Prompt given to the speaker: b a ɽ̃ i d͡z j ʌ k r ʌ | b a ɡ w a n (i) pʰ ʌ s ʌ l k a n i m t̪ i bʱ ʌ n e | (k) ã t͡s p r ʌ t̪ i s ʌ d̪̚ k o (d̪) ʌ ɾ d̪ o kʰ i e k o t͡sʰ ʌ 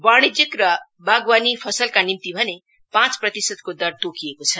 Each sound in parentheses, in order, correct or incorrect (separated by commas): correct, incorrect, correct